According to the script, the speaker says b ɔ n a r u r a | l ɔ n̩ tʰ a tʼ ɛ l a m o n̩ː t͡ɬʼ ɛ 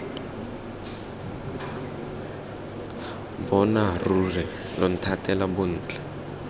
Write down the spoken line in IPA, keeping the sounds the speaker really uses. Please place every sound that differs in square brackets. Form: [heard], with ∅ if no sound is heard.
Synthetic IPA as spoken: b ɔ n a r u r [ɛ] | l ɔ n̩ tʰ a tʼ ɛ l a [b] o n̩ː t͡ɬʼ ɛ

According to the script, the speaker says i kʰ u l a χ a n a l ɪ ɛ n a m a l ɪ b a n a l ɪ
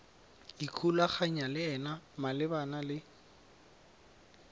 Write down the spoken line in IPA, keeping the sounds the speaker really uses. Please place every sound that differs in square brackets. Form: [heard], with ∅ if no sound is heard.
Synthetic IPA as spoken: i kʰ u l a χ a [ɲ] a l ɪ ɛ n a m a l ɪ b a n a l ɪ

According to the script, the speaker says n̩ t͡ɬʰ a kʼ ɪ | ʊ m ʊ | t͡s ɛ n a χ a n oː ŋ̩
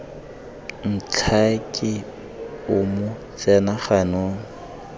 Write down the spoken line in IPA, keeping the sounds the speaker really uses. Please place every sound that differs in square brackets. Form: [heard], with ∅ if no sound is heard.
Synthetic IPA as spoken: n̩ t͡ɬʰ a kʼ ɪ | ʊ m ʊ | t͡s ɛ n a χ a n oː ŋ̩

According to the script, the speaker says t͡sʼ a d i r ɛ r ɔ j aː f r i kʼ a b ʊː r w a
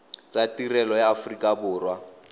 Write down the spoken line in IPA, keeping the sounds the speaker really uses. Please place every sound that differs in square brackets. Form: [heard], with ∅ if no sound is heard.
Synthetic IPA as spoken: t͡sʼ a [t] i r ɛ [l] ɔ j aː f r i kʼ a b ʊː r w a

